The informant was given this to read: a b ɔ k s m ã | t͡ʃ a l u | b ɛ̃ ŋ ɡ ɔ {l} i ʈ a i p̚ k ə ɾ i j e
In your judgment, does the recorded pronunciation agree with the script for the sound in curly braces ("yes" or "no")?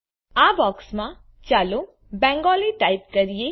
yes